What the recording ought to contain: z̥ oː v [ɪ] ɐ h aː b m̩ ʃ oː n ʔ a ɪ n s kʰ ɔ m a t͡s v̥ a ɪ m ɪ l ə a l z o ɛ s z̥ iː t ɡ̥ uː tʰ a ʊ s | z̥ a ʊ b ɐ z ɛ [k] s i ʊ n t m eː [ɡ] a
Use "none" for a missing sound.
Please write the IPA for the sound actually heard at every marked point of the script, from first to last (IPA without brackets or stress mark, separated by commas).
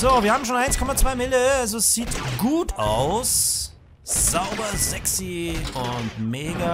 i, k, ɡ